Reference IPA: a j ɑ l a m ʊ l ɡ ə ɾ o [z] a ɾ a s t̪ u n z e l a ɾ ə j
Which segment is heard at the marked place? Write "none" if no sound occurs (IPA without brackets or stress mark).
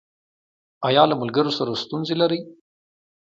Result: s